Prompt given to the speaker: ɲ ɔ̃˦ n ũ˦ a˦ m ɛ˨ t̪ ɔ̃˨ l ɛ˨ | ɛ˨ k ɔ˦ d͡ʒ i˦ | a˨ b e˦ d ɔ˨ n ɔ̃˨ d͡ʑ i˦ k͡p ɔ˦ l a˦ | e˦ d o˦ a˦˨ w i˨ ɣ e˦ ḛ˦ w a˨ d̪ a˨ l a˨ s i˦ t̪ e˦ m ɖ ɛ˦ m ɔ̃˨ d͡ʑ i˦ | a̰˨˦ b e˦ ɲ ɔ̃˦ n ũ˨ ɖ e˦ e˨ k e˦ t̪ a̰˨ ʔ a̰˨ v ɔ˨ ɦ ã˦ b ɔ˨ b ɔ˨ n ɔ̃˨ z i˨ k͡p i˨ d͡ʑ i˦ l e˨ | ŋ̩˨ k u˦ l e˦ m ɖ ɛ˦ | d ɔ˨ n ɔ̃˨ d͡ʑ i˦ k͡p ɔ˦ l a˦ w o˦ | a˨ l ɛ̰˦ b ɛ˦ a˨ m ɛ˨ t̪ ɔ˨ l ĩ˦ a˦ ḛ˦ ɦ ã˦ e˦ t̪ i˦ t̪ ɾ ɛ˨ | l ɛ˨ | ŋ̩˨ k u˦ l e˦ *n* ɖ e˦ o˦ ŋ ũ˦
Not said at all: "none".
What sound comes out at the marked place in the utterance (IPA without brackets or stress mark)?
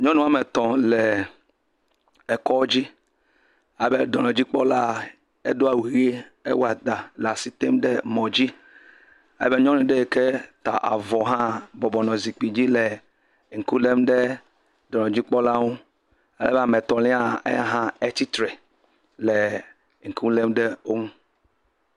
m